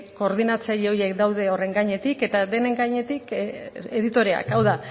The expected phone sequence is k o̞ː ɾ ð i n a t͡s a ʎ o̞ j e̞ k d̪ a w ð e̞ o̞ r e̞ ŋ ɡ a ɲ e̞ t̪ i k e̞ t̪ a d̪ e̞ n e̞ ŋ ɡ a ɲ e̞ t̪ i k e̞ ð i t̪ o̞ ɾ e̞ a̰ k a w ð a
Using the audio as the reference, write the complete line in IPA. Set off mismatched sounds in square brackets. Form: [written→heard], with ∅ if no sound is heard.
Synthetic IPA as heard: k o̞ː ɾ ð i n a t͡s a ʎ o̞ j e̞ k d̪ a w ð e̞ o̞ r e̞ ŋ ɡ a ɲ e̞ t̪ i k e̞ t̪ a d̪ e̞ n e̞ ŋ ɡ a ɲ e̞ t̪ i k e̞ ð i t̪ o̞ ɾ e̞ a̰ k a w ð a